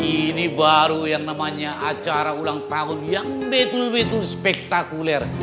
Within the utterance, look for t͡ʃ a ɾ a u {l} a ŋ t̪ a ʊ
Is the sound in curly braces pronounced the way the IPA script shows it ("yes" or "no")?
yes